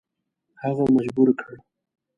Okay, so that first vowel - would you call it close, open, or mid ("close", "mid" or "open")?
open